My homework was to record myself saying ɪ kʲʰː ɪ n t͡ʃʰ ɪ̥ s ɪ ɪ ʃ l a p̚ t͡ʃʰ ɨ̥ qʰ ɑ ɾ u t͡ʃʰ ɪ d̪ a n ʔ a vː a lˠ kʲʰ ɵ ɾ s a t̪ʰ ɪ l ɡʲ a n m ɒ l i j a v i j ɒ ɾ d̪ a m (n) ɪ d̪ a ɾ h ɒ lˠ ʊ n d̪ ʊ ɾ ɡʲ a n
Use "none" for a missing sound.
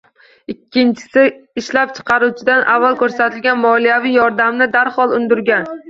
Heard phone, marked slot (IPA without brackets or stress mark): n